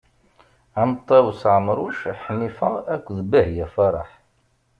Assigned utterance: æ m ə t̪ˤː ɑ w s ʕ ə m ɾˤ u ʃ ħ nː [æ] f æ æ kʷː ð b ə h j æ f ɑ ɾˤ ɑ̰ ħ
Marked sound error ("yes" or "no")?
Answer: yes